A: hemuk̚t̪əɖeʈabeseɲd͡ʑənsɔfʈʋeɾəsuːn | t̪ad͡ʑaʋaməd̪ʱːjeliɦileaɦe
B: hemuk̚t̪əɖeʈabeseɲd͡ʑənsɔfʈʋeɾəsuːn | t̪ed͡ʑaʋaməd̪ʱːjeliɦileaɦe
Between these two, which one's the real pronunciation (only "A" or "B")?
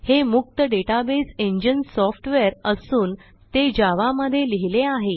B